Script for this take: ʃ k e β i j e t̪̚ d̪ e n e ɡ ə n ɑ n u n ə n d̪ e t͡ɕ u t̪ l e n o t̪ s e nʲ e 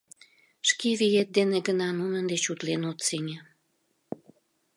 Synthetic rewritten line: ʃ k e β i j e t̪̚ d̪ e n e ɡ ə n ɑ n u n ə n d̪ e t͡ɕ u t̪ l e n o t̪ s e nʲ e